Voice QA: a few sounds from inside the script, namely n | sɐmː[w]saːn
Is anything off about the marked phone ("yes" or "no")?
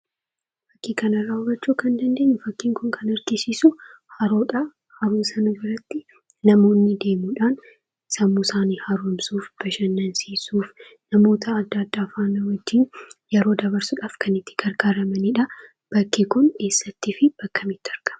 yes